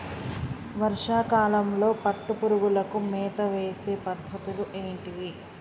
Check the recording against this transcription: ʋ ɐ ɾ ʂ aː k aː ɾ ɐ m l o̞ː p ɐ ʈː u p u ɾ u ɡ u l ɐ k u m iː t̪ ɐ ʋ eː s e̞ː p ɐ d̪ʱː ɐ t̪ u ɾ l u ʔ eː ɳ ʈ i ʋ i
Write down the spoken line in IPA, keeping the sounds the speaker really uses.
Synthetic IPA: ʋ ɐ ɾ ʂ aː k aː l ɐ m l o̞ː p ɐ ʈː u p u ɾ u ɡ u l ɐ k u m ɛː t̪ ɐ ʋ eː s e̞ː p ɐ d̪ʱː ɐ t̪ u l u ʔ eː ɳ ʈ i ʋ i

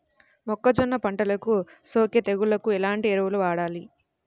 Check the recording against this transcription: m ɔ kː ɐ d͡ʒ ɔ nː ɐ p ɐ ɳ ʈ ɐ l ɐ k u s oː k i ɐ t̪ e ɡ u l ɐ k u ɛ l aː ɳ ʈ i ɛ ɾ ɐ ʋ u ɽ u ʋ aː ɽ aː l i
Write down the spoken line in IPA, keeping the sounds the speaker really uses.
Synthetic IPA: m ɔ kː ɐ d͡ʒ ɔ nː ɐ p ɐ ɳ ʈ ɐ l ɐ k u s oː k j ɐ t̪ e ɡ u l ɐ k u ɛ l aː ɳ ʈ i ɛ ɾ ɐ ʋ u l u ʋ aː ɽ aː l i

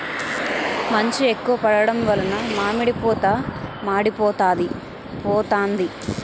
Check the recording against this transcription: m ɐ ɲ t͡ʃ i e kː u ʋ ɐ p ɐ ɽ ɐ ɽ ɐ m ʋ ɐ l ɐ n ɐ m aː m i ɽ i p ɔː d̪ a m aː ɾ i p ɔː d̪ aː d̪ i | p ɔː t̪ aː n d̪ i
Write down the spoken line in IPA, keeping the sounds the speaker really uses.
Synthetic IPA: m ɐ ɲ t͡ʃ i e kː u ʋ ɐ p ɐ ɽ ɐ ɽ ɐ m ʋ ɐ l ɐ n ɐ m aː m i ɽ i p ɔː t̪ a m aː ɽ i p ɔː t̪ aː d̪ i | p ɔː t̪ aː n d̪ i

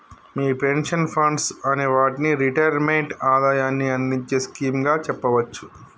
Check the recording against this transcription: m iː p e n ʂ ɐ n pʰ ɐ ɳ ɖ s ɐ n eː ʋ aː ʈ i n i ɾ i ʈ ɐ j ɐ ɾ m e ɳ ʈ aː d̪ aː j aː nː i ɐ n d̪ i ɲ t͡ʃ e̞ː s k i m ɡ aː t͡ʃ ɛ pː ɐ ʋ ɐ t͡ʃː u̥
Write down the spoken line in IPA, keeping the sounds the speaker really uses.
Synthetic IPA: m iː p e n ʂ ɐ n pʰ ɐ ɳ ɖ s ɐ n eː ʋ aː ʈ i n i ɾ i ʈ ɐ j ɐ ɾ m e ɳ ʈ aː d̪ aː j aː nː i ɐ n d̪ i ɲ t͡ʃ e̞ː s k iː m ɡ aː t͡ʃ ɛ pː ɐ ʋ ɐ t͡ʃː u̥

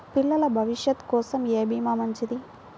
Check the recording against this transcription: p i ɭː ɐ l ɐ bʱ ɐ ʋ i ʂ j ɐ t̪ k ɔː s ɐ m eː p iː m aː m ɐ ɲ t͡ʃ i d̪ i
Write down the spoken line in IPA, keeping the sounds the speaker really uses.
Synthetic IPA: p i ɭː ɐ l ɐ bʱ ɐ ʋ i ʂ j ɐ t̪ k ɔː s ɐ m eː b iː m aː m ɐ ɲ t͡ʃ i d̪ i

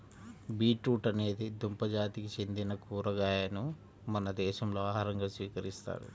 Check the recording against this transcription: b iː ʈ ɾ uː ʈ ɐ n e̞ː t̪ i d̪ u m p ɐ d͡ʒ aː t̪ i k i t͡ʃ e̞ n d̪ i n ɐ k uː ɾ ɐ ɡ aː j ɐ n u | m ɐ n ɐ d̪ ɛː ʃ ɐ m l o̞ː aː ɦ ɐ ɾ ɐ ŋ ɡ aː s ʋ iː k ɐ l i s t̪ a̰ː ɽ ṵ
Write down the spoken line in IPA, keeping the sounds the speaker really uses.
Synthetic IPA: b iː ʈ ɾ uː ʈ ɐ n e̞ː d̪ i d̪ u m p ɐ d͡ʒ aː t̪ i k i t͡ʃ e̞ n d̪ i n ɐ k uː ɾ ɐ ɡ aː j ɐ n u | m ɐ n ɐ d̪ ɛː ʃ ɐ m l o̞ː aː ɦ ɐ ɾ ɐ ŋ ɡ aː s ʋ iː k ɐ ɾ i s t̪ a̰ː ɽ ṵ

